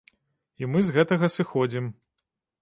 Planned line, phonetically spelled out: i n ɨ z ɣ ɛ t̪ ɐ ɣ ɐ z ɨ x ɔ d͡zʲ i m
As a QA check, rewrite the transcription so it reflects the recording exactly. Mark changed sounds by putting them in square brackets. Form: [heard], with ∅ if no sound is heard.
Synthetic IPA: i [m] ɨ z ɣ ɛ t̪ ɐ ɣ ɐ [s] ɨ x ɔ d͡zʲ i m